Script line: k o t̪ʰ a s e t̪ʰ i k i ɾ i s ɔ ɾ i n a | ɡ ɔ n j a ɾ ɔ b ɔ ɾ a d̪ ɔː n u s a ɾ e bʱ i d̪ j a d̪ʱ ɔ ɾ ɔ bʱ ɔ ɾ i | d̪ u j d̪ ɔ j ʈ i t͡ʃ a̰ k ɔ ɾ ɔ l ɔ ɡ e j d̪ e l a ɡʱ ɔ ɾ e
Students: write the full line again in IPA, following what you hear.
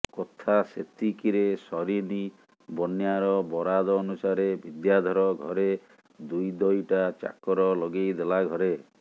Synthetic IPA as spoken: k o t̪ʰ a s e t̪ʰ i k i ɾ e s ɔ ɾ i n i | b ɔ n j a ɾ ɔ b ɔ ɾ a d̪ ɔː n u s a ɾ e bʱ i d̪ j a d̪ʱ ɔ ɾ ɔ ɡʱ ɔ ɾ e | d̪ u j d̪ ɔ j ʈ a t͡ʃ a̰ k ɔ ɾ ɔ l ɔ ɡ e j d̪ e l a ɡʱ ɔ ɾ e